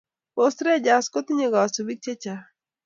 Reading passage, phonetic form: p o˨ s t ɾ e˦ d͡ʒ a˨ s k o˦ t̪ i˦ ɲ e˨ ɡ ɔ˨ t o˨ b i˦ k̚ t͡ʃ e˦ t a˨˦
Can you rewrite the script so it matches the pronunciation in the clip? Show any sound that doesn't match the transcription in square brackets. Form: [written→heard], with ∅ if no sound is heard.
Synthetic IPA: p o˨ s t ɾ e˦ d͡ʒ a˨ s k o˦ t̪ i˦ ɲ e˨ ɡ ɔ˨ [t→s] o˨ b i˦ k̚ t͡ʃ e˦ [t→t͡ʃ] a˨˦